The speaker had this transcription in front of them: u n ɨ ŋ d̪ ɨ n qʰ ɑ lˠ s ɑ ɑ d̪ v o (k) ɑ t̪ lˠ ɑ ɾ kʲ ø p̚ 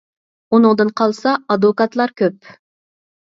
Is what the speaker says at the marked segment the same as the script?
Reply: yes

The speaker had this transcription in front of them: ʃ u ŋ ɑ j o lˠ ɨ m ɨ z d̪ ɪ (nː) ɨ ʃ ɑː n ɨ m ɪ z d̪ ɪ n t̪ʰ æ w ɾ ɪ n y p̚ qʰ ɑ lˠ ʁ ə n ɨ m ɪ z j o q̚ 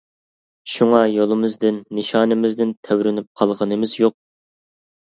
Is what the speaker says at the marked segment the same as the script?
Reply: yes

